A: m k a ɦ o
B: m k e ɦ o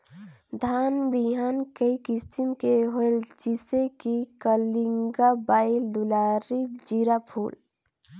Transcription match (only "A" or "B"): B